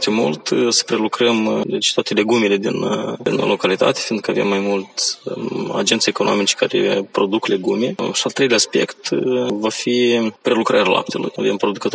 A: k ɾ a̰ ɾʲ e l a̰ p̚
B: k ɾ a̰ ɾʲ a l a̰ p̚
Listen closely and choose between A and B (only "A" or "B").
B